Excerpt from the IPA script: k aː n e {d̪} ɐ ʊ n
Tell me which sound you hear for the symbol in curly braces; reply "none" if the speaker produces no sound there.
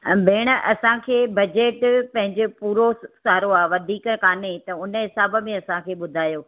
t̪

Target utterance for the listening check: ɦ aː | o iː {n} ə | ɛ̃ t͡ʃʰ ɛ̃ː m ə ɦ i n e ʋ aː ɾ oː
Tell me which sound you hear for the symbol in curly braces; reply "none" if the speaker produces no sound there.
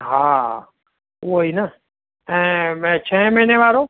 n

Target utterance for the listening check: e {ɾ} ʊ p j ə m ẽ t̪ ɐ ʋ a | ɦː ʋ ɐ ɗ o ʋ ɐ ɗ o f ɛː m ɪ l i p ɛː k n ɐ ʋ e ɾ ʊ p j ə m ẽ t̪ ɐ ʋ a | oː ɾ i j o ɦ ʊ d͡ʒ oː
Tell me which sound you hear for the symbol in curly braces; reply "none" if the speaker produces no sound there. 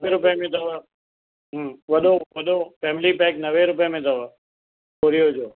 ɾ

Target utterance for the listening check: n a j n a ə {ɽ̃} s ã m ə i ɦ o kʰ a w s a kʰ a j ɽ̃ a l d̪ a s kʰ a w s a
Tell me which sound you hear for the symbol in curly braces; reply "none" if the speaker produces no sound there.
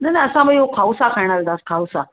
none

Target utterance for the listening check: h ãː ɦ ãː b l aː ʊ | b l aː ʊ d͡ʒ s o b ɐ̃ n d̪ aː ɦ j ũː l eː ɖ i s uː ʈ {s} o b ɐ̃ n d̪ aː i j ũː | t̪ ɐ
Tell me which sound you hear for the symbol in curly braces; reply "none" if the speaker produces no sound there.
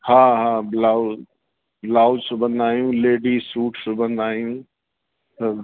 s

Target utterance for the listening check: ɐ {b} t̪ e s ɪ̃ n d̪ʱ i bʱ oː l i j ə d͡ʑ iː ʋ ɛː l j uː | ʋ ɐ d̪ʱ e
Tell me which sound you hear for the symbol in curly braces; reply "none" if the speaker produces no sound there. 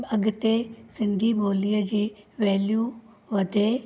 ɡ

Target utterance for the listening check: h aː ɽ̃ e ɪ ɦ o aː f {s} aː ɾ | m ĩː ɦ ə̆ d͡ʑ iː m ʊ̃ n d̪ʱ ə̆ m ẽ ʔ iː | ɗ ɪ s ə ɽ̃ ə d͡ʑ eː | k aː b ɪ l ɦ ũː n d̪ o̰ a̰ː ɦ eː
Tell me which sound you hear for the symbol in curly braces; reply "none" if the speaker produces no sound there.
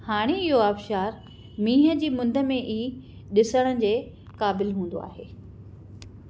ʃ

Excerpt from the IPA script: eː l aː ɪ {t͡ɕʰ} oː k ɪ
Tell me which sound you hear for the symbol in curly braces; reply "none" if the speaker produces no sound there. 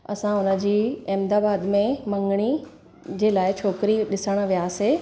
t͡ɕʰ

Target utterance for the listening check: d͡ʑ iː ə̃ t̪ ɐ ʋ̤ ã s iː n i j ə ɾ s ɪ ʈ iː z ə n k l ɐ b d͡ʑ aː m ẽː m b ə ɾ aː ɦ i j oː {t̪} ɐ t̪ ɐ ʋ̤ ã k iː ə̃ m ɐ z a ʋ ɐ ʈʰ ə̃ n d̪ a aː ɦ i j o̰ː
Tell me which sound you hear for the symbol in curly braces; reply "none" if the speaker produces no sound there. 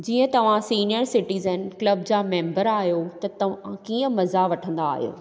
t̪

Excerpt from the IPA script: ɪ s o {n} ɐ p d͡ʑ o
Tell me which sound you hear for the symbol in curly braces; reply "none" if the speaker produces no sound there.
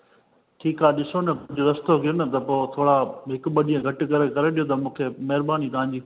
n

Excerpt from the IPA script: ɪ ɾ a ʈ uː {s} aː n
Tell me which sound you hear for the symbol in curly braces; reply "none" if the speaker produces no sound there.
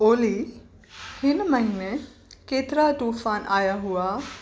f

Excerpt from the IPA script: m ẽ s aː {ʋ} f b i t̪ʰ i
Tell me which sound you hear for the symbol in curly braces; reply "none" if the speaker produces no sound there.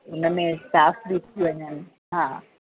none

